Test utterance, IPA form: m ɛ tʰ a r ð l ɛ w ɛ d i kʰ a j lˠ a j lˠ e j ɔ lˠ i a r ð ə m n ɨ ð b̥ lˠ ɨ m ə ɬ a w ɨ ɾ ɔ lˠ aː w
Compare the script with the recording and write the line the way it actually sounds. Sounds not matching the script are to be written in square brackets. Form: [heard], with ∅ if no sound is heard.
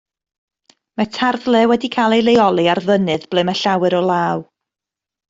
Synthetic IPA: m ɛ tʰ a r ð l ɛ w ɛ d i kʰ a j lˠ [e] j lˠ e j ɔ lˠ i a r ð ə [∅] n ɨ ð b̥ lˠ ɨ m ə ɬ a w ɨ ɾ ɔ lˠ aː w

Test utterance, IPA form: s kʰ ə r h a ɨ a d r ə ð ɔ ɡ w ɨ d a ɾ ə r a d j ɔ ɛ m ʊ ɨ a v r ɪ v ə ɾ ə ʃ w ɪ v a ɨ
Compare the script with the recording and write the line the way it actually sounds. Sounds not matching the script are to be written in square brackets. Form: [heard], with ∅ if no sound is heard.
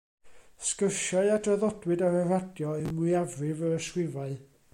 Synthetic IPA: s [k] ə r [ʃ] a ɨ a d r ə ð ɔ [d] w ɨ d a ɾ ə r a d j ɔ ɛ m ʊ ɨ a v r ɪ v ə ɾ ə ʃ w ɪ v a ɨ

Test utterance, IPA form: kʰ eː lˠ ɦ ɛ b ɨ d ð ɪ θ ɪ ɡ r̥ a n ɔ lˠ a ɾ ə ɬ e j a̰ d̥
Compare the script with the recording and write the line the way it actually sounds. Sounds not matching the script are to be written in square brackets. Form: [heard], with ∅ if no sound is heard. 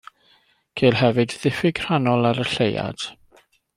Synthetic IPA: kʰ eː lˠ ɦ ɛ [v] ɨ d ð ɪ [f] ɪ ɡ r̥ a n ɔ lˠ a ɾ ə ɬ e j a̰ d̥

